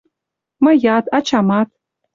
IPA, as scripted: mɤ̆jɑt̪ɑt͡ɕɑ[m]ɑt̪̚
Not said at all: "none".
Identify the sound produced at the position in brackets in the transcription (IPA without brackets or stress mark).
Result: m